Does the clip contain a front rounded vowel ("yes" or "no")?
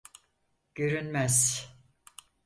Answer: yes